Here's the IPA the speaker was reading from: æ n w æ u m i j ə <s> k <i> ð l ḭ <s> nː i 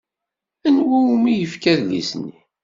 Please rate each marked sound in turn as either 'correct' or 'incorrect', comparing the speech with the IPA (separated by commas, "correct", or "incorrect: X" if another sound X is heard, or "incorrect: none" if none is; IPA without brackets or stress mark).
incorrect: f, incorrect: æ, correct